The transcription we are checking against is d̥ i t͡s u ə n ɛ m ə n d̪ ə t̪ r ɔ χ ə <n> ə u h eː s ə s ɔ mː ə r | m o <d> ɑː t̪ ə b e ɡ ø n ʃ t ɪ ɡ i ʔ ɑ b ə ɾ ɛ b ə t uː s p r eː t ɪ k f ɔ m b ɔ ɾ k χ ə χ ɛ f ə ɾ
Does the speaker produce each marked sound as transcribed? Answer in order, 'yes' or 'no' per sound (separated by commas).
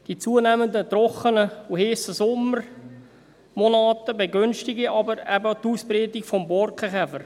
yes, no